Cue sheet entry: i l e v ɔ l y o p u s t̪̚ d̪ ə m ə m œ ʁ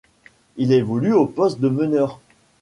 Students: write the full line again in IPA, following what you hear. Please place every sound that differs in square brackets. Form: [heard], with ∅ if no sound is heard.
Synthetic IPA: i l e v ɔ l y o p [ɔ] s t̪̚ d̪ ə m ə [n] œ ʁ